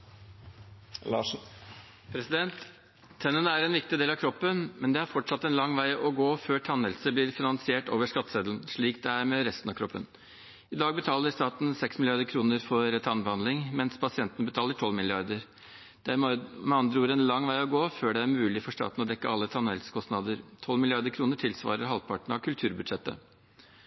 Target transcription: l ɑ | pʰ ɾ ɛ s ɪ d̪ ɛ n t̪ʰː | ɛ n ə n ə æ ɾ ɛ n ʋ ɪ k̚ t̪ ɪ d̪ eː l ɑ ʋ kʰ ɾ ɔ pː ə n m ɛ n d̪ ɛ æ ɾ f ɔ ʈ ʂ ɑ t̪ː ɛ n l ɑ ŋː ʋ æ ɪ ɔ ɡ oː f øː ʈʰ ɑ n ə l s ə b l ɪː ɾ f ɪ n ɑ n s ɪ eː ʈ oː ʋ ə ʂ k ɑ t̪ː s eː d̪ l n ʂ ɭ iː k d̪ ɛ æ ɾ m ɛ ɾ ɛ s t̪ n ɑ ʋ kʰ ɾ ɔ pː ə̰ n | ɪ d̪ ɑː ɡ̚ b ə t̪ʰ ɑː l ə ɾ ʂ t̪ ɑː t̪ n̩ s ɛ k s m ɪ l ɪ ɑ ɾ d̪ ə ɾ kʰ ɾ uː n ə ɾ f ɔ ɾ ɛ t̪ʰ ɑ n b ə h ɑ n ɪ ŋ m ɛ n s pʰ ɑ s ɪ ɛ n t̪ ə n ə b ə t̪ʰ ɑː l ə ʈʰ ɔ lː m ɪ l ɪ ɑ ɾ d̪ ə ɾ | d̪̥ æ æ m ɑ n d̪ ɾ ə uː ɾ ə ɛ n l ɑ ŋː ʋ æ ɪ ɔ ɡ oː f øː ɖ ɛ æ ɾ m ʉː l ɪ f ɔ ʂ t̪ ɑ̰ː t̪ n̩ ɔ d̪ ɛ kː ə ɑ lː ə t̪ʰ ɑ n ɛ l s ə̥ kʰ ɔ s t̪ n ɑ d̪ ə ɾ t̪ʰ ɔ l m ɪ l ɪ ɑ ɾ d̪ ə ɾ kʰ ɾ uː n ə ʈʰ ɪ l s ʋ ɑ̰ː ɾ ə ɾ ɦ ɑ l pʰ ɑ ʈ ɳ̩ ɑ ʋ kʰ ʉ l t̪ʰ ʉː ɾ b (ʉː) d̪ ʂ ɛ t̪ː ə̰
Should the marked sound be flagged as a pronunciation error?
yes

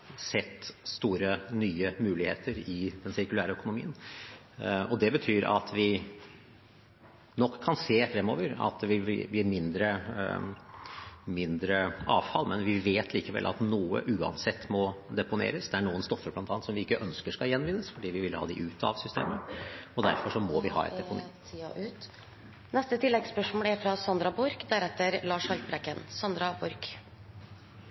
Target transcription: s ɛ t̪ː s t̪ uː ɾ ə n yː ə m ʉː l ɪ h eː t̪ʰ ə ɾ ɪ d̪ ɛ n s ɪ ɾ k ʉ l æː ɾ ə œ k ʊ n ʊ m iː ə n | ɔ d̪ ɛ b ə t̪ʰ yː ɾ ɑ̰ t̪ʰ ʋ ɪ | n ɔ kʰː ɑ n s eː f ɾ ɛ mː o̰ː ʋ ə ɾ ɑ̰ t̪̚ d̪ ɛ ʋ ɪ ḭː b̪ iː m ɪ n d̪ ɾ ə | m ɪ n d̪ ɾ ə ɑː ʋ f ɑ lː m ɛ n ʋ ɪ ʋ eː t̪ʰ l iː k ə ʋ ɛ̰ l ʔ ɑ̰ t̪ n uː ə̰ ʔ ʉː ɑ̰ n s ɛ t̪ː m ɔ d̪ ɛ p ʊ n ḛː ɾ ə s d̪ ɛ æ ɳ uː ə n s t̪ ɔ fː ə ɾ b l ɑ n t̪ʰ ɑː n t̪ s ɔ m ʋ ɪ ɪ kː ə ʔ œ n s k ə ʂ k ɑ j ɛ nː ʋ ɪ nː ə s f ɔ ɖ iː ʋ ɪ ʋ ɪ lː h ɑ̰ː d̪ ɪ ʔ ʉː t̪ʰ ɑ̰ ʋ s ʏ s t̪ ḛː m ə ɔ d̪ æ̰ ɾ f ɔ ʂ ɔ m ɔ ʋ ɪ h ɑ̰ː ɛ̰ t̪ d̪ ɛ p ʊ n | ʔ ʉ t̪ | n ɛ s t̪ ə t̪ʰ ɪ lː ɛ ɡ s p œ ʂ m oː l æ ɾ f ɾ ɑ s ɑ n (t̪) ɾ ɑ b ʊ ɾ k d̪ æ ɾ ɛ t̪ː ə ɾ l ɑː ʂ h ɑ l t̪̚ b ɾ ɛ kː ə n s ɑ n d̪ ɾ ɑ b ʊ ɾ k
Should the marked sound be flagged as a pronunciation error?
yes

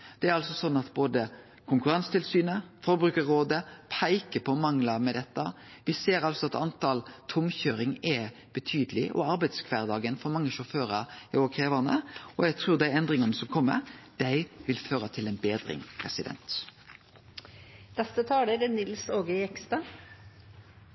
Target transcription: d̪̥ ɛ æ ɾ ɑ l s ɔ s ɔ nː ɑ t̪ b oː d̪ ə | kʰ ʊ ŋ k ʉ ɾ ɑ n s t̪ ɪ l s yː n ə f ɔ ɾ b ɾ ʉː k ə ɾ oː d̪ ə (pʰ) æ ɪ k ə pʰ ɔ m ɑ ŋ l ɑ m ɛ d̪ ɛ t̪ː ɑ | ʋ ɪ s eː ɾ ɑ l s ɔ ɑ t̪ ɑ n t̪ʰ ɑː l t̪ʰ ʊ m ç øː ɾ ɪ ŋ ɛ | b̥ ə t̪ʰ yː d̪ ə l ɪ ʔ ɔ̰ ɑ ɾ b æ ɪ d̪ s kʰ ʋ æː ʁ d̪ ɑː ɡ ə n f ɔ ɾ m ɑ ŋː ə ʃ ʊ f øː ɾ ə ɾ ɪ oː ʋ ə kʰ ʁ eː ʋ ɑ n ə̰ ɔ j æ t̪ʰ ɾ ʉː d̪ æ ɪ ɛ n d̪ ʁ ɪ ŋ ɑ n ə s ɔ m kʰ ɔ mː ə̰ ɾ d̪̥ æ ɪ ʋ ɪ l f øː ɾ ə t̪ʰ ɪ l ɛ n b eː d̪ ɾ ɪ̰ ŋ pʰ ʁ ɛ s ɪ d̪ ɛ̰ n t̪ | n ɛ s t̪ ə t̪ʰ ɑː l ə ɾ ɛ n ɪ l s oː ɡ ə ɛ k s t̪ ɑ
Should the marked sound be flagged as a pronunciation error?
no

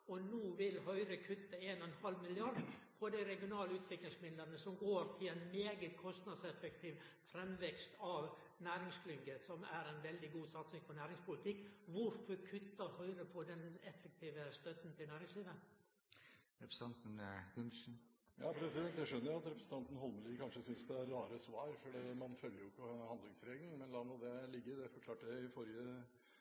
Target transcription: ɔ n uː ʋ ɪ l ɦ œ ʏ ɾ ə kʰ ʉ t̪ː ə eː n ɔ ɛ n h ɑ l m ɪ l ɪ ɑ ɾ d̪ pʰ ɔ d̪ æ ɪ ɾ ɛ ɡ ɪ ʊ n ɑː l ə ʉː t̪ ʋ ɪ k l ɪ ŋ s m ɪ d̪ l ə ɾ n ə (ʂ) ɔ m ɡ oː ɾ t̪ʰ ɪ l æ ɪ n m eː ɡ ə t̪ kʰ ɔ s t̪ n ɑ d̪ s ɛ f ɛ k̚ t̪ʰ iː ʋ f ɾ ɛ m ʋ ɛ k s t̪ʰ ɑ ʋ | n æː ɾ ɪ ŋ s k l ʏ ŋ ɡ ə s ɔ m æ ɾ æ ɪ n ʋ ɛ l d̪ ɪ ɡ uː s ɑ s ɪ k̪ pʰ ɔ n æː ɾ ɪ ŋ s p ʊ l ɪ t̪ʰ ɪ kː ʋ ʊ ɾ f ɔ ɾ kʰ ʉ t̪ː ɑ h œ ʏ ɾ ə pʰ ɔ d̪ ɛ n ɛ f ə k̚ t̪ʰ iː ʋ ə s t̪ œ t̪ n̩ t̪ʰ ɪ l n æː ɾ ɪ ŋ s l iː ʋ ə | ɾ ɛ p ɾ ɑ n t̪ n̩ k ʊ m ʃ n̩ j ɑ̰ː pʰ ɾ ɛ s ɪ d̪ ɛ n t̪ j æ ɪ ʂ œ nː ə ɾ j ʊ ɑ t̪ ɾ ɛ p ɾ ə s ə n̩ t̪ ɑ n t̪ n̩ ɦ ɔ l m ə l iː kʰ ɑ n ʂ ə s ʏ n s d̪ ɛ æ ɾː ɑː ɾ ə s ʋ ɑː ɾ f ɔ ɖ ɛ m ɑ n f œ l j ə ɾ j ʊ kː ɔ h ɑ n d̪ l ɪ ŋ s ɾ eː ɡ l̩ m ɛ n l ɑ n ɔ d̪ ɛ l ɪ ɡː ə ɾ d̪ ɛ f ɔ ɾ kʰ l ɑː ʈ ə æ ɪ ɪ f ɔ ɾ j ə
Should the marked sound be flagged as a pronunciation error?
yes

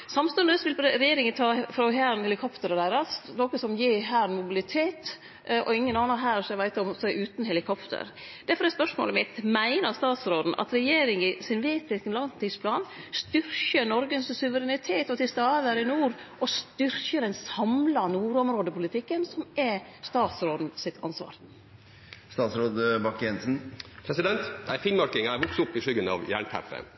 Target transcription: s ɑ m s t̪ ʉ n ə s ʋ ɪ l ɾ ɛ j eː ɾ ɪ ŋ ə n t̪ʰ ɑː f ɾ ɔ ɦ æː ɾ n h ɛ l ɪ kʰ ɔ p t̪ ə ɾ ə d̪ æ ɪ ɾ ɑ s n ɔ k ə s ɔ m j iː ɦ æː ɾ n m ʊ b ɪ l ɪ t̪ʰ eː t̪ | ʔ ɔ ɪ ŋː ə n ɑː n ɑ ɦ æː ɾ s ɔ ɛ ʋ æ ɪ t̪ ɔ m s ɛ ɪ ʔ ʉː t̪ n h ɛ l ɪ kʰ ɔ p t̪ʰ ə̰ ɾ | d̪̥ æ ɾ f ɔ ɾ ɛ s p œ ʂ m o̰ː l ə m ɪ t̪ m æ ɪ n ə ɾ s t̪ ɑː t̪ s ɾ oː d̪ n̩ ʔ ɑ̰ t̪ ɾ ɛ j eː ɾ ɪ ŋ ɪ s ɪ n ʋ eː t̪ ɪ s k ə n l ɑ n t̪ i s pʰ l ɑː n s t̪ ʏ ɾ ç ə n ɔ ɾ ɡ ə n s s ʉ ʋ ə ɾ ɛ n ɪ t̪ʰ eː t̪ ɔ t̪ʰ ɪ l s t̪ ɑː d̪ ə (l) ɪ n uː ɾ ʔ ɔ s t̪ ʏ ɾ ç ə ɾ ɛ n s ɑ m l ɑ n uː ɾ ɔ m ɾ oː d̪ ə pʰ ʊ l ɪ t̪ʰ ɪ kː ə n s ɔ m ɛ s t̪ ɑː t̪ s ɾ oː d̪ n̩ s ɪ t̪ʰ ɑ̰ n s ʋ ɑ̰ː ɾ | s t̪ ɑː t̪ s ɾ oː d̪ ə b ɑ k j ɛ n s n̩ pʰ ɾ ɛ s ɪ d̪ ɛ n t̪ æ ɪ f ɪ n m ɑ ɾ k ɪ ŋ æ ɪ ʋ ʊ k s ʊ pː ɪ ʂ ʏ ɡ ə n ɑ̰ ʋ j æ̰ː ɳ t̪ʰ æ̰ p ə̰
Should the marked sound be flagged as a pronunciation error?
yes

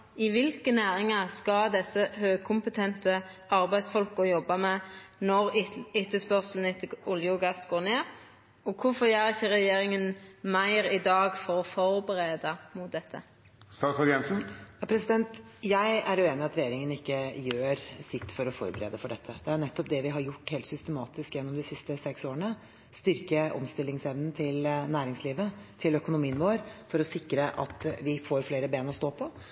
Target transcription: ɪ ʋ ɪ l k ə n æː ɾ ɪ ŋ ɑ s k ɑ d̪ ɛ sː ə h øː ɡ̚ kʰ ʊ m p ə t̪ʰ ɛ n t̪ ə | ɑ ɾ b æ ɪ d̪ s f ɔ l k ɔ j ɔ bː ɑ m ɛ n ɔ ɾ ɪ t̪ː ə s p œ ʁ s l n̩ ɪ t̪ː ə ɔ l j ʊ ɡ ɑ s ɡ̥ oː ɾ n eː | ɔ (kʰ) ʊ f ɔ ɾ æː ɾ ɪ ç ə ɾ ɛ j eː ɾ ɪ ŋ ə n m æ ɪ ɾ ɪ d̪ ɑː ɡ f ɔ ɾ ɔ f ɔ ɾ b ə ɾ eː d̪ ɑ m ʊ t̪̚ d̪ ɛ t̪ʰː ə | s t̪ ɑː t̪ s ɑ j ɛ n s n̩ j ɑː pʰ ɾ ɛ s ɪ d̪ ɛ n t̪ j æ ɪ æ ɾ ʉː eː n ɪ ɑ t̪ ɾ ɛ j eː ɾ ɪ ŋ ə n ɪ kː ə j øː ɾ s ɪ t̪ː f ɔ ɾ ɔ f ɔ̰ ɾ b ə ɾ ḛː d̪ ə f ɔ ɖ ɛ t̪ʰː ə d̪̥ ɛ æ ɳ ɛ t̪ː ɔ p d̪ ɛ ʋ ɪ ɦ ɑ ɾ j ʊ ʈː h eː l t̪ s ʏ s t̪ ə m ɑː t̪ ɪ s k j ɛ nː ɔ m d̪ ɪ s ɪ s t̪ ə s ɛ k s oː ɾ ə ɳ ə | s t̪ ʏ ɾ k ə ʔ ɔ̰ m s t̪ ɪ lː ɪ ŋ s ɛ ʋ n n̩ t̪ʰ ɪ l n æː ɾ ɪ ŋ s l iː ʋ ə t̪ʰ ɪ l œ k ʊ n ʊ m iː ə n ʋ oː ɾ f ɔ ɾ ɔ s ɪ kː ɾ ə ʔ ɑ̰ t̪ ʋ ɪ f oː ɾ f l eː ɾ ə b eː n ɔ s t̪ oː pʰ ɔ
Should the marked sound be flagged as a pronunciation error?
no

